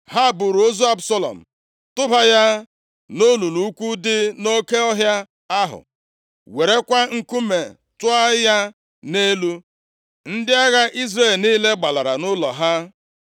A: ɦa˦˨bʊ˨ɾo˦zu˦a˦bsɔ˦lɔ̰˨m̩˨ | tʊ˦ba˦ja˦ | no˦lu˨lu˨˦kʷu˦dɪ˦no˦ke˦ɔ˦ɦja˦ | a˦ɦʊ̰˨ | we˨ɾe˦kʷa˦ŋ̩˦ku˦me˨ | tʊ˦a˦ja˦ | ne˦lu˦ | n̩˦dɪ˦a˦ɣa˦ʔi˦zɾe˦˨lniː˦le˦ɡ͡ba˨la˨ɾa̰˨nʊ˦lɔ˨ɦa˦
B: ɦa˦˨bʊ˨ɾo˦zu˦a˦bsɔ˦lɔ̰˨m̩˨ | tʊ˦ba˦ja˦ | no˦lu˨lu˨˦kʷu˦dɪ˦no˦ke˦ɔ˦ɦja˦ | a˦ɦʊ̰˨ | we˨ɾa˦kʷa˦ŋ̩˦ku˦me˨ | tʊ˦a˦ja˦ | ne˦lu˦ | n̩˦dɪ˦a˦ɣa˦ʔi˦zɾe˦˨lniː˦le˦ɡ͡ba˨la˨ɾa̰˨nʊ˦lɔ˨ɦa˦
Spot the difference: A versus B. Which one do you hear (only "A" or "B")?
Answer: A